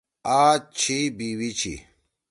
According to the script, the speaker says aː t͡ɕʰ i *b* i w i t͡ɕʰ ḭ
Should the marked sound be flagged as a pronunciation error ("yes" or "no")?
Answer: no